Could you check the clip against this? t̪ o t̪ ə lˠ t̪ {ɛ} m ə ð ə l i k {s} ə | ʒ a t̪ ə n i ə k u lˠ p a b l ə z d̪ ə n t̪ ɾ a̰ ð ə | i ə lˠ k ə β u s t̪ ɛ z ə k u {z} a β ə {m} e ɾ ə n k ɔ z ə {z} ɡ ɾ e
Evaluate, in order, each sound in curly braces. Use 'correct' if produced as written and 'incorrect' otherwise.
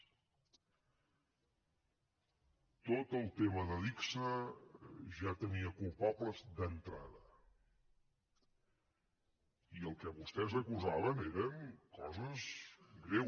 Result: incorrect, correct, correct, incorrect, correct

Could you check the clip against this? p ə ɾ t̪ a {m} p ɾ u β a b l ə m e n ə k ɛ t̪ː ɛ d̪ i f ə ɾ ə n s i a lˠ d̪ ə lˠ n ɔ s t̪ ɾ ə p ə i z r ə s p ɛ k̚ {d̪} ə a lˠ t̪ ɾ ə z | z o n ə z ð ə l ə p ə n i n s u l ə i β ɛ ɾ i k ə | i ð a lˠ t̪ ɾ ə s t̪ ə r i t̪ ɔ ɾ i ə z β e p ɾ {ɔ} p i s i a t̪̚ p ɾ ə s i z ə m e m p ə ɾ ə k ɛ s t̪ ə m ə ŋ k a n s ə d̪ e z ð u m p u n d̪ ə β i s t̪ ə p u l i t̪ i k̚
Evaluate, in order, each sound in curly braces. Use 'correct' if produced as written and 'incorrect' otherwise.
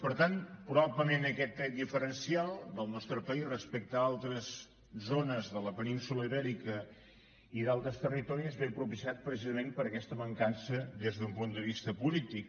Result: incorrect, incorrect, incorrect

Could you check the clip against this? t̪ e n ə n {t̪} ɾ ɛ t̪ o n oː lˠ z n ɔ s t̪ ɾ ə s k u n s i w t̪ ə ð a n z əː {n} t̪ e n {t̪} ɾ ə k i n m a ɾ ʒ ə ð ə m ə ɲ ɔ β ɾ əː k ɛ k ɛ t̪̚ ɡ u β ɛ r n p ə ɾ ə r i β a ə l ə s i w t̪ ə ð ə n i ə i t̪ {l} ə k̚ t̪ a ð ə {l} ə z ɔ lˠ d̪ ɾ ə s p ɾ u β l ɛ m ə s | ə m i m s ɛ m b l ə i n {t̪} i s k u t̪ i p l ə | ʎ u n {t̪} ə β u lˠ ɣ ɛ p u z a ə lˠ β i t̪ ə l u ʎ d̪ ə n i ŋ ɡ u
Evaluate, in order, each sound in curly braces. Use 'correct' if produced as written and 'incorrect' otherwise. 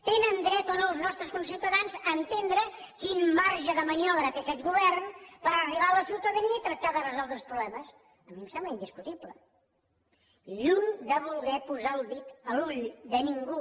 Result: incorrect, correct, incorrect, incorrect, incorrect, incorrect, incorrect

